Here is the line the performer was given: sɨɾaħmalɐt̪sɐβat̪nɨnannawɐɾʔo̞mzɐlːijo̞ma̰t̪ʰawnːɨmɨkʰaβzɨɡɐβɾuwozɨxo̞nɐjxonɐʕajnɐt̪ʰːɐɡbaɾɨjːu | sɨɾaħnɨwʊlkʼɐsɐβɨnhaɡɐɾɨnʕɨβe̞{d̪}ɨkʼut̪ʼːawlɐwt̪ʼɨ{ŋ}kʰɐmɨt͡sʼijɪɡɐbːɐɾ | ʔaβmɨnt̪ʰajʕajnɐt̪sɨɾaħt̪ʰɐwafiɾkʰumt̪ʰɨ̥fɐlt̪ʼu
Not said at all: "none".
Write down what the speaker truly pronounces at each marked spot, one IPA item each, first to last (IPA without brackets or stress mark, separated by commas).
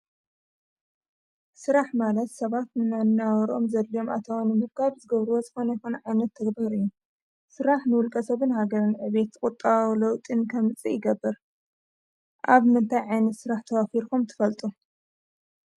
t̪, n